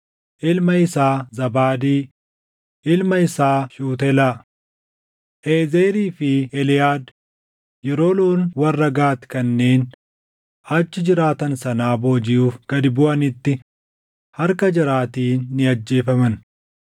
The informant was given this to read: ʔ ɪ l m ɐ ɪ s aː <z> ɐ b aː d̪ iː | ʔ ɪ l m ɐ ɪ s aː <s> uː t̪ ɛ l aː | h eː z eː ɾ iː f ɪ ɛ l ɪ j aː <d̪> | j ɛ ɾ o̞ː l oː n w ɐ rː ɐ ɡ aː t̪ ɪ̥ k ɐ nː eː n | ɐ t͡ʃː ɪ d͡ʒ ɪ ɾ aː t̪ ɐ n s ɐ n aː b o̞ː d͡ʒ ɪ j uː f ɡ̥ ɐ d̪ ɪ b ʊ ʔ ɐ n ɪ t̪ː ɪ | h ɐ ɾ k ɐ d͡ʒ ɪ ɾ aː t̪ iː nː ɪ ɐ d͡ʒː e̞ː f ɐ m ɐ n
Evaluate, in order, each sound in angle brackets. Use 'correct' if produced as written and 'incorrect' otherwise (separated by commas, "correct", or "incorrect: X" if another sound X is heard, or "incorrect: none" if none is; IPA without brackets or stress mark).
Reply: correct, incorrect: ʃ, correct